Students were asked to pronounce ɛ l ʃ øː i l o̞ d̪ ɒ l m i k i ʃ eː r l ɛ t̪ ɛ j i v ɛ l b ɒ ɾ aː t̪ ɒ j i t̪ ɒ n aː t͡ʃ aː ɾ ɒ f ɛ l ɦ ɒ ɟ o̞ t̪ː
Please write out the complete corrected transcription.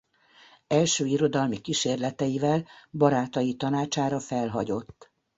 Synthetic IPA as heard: ɛ l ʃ øː i ɾ o̞ d̪ ɒ l m i k i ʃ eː r l ɛ t̪ ɛ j i v ɛ l b ɒ ɾ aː t̪ ɒ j i t̪ ɒ n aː t͡ʃ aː ɾ ɒ f ɛ l ɦ ɒ ɟ o̞ t̪ː